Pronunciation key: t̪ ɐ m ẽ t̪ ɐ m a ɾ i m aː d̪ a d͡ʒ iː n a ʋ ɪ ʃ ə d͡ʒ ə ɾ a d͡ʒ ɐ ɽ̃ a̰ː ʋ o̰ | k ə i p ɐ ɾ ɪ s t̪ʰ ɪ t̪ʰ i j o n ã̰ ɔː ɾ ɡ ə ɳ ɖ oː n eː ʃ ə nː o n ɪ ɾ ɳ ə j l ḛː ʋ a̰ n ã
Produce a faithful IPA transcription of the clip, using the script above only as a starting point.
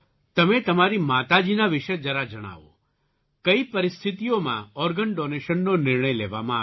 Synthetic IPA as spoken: t̪ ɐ m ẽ t̪ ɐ m a ɾ i m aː t̪ a d͡ʒ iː n a ʋ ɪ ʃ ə d͡ʒ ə ɾ a d͡ʒ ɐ ɽ̃ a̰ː ʋ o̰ | k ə i p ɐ ɾ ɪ s t̪ʰ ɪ t̪ i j o m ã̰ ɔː ɾ ɡ ə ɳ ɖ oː n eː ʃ ə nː o n ɪ ɾ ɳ ə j l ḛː ʋ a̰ m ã